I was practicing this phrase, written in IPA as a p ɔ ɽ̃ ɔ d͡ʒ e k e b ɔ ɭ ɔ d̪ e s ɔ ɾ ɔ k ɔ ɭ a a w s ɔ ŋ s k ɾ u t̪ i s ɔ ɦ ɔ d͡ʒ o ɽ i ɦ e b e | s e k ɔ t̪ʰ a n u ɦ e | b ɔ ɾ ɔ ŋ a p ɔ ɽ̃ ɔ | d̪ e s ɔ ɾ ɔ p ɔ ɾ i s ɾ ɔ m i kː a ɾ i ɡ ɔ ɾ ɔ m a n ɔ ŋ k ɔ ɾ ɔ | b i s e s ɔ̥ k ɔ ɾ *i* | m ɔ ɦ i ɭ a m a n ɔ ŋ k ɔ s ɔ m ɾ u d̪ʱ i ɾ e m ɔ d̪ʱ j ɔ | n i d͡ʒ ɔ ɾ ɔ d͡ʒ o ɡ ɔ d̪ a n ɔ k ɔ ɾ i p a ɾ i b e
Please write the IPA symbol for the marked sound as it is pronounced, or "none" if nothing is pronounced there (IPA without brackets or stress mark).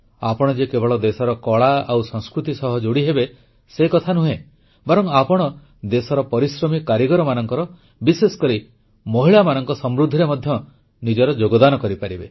i